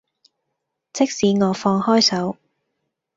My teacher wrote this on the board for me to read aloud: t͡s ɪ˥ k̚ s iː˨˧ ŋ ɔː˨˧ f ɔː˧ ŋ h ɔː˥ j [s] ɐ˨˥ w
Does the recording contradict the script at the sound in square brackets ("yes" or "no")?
no